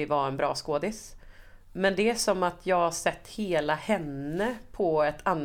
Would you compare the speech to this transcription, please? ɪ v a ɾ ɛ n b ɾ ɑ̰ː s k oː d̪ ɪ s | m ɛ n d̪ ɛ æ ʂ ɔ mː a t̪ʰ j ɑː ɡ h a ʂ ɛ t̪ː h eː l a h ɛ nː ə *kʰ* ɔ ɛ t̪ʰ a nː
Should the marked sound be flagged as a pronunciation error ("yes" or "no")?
yes